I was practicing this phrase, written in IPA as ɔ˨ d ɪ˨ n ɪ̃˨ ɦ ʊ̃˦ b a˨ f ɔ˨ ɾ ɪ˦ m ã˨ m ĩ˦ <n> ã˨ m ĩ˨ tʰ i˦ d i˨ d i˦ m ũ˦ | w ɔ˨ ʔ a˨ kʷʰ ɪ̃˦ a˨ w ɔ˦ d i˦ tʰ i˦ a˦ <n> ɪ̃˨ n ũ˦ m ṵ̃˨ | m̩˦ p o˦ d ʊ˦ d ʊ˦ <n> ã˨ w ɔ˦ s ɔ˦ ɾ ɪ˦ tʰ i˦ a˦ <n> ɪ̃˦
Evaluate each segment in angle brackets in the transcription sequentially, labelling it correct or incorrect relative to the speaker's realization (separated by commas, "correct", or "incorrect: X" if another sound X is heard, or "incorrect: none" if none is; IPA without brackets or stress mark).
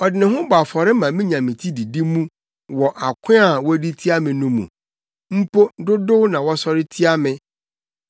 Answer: incorrect: ɲ, incorrect: m, correct, incorrect: m